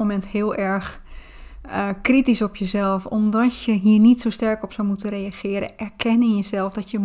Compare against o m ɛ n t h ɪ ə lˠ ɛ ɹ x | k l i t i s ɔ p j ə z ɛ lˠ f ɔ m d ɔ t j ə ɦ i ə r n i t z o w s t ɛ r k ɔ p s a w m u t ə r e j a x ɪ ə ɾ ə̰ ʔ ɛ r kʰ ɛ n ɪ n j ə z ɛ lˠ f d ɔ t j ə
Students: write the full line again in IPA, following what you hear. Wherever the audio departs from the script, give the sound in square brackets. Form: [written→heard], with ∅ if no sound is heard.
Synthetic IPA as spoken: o m ɛ n t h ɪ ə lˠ ɛ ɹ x | k [l→r] i t i s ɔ p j ə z ɛ lˠ f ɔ m d ɔ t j ə ɦ i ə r n i t [z→s] o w s t ɛ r k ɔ p s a w m u t ə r e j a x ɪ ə ɾ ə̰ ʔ ɛ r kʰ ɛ n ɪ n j ə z ɛ lˠ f d ɔ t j ə